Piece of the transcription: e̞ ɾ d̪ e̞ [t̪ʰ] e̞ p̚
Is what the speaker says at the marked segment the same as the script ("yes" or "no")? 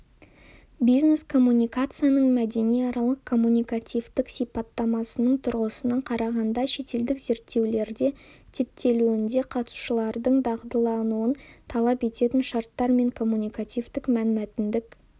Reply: yes